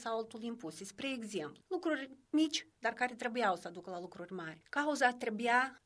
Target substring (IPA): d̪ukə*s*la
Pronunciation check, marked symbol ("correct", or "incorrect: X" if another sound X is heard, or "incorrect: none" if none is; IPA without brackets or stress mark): incorrect: none